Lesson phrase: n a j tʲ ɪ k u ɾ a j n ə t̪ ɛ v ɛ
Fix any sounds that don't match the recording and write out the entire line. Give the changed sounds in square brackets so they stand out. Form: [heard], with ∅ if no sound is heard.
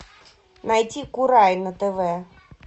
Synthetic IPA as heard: n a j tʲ [i] k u ɾ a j n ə t̪ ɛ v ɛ